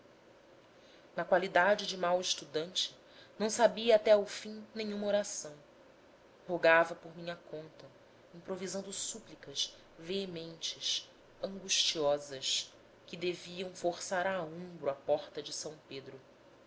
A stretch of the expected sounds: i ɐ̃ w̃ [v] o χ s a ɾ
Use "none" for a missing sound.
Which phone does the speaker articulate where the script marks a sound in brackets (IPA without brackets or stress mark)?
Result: f